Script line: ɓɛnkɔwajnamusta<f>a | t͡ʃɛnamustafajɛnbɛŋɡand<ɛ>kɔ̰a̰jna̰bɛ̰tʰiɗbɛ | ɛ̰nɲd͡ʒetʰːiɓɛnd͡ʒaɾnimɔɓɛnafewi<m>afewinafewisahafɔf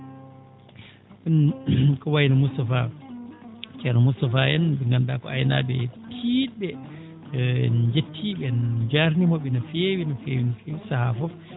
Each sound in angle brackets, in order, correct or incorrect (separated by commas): correct, incorrect, incorrect